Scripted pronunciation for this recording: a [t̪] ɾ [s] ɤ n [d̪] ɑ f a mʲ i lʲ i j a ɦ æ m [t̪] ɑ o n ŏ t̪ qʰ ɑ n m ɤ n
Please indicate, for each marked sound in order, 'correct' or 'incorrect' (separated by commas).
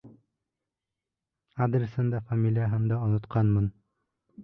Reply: incorrect, correct, correct, incorrect